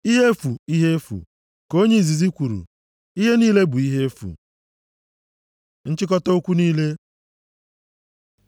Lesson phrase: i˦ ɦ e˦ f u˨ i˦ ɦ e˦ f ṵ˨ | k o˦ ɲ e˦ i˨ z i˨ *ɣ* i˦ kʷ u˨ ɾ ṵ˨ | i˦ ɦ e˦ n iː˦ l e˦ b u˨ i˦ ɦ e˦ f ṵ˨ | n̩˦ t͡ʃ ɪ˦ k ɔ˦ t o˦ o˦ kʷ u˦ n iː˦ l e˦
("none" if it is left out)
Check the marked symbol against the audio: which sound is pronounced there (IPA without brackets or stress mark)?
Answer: z